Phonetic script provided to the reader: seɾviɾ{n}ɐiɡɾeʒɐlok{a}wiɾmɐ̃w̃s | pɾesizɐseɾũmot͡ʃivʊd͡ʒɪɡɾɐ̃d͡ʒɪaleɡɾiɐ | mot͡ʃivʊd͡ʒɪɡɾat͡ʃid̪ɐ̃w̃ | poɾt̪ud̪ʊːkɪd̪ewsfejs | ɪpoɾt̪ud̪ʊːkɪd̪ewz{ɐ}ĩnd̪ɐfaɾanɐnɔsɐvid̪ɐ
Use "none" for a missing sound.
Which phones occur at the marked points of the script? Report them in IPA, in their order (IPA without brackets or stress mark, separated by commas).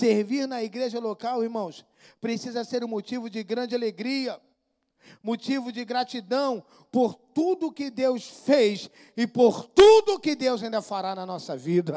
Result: n, a, a